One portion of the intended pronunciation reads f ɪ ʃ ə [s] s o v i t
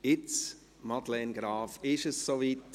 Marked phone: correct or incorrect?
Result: correct